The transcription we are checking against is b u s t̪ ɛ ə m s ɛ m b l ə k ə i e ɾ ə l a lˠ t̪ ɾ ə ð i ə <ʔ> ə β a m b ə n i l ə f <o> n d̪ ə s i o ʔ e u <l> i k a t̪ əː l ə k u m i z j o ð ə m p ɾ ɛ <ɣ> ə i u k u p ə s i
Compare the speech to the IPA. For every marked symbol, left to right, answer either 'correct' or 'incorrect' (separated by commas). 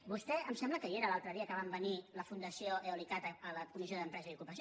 incorrect, incorrect, correct, incorrect